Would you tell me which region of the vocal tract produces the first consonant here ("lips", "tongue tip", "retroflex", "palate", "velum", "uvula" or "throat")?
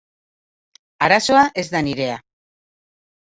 tongue tip